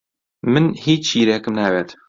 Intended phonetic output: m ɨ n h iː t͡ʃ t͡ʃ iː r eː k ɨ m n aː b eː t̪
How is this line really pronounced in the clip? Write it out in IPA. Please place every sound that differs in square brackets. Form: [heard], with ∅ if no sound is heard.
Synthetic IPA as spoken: m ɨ n h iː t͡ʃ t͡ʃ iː [ɾ] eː k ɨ m n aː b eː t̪